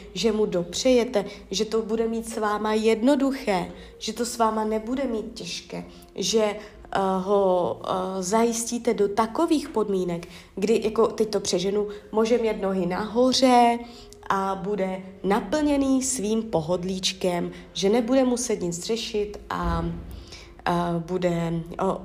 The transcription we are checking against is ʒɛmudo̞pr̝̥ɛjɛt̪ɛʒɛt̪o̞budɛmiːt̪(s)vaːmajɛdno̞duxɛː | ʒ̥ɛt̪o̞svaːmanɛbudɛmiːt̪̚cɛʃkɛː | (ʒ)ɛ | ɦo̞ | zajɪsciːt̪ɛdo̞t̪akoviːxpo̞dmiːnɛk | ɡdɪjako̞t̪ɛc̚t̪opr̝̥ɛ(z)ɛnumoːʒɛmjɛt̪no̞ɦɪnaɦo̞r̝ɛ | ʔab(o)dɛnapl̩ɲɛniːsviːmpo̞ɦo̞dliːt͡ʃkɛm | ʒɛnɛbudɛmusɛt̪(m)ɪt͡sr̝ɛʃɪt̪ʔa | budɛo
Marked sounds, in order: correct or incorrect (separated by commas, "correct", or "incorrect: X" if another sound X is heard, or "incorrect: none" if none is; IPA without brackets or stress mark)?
correct, correct, incorrect: ʒ, incorrect: u, incorrect: ɲ